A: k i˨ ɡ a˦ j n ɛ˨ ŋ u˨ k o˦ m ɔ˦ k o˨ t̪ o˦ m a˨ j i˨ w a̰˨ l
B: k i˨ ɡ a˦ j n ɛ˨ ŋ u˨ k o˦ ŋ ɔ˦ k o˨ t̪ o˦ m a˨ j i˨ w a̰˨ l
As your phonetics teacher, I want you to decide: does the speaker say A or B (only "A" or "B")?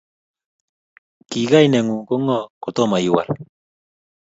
B